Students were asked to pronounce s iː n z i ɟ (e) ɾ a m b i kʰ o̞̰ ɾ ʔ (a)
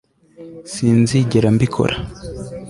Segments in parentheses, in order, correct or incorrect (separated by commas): correct, correct